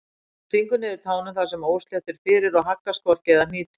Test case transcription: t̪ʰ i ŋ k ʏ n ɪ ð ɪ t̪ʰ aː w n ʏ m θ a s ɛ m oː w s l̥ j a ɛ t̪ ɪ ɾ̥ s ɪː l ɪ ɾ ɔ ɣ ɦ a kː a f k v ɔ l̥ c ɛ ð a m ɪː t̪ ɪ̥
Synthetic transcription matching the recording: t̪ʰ i ŋ k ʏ n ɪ ð ɪ t̪ʰ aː w n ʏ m θ a s ɛ m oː w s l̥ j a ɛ t̪ ɪ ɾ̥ f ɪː ɾ ɪ ɾ ɔ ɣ ɦ a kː a s k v ɔ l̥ c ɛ ð a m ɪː t̪ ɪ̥